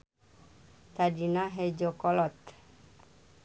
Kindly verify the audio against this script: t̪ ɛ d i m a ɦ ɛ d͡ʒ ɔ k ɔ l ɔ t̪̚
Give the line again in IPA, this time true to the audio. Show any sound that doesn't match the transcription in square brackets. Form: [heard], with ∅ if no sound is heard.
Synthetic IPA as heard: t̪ [a] d i [n] a ɦ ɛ d͡ʒ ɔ k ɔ l ɔ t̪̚